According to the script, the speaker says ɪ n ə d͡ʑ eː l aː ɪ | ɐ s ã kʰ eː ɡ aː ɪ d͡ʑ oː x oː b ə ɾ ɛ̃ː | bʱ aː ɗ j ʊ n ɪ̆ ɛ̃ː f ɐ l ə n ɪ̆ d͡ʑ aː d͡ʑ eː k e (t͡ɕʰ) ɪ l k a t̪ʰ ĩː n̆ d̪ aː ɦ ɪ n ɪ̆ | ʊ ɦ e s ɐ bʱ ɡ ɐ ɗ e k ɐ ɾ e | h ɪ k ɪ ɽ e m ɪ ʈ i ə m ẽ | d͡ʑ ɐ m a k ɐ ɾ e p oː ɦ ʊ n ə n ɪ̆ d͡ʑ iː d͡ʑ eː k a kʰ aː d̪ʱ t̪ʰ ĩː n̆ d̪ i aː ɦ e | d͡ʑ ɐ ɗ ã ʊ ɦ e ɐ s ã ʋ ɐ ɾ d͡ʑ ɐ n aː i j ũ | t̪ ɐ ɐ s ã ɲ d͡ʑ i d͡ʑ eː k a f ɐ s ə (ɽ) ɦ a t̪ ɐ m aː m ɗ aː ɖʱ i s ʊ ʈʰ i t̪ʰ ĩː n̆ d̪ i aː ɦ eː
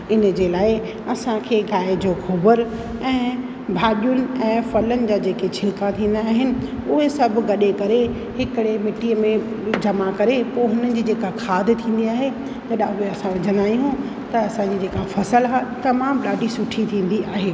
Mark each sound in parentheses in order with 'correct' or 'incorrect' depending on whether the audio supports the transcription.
correct, incorrect: l

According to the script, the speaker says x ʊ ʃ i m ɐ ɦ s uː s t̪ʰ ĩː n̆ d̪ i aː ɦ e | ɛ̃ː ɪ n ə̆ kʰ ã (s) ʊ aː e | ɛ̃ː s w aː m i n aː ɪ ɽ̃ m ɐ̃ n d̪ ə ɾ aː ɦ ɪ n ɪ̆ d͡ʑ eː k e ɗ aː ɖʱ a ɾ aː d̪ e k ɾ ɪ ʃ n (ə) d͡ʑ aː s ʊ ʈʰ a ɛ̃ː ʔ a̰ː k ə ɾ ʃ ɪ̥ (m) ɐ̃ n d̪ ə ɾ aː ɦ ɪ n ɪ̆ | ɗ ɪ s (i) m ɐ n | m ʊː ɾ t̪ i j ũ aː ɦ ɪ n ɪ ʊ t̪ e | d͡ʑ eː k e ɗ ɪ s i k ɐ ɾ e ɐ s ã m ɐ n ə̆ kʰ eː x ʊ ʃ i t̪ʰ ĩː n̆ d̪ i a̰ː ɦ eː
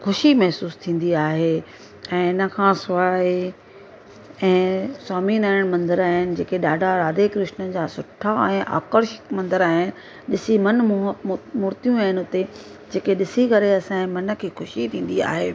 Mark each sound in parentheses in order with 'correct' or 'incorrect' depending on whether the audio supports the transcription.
correct, correct, correct, correct

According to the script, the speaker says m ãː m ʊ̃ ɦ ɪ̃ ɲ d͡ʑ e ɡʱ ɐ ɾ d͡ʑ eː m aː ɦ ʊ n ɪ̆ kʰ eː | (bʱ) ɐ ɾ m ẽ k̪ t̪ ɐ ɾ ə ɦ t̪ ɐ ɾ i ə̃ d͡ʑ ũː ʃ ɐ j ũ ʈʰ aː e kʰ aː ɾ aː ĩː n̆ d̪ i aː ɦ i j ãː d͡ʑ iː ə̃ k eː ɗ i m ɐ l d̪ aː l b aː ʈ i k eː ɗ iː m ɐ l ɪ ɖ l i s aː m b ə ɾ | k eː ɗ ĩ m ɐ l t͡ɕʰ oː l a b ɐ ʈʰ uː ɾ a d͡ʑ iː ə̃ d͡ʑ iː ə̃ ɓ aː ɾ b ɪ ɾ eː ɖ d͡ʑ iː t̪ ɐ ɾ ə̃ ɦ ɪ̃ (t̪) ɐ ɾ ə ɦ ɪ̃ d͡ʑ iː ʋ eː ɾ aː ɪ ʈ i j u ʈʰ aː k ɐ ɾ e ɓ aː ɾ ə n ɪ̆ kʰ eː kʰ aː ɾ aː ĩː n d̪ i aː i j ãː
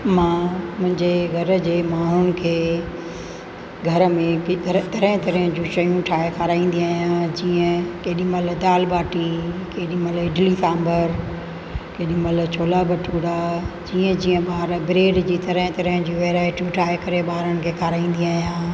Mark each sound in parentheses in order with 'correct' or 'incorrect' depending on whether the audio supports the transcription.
incorrect: ɡʱ, correct

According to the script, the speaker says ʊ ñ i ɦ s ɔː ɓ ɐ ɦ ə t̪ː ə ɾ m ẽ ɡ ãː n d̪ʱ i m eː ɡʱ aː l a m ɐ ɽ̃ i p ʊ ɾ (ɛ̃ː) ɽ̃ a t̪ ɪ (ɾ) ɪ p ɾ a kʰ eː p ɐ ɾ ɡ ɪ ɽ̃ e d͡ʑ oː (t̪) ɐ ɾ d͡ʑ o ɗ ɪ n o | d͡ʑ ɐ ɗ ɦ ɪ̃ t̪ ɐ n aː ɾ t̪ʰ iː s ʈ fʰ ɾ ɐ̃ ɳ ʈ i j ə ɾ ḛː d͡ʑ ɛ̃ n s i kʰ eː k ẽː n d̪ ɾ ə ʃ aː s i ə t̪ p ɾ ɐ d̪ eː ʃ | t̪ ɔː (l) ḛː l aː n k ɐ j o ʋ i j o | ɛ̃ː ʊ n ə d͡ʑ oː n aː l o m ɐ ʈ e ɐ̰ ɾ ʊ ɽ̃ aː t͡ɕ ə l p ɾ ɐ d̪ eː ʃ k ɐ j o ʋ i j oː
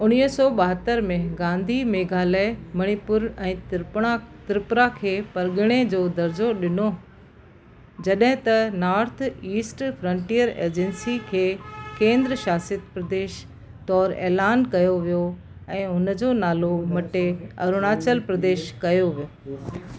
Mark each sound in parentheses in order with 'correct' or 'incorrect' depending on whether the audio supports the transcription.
correct, correct, incorrect: d̪, incorrect: ɾ

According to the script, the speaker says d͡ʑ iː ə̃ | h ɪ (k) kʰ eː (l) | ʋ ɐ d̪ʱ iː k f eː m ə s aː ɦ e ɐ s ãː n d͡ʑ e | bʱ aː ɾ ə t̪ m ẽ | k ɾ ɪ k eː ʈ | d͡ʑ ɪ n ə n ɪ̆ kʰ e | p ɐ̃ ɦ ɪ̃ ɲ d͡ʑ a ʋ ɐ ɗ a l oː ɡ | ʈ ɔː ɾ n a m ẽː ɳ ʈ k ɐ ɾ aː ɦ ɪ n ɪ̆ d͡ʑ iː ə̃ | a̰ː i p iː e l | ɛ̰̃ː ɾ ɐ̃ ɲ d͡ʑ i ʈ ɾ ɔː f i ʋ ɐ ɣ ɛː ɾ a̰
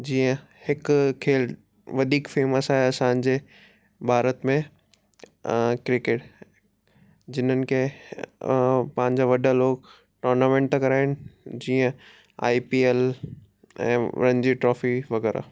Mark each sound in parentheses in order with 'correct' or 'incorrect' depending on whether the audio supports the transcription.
correct, correct

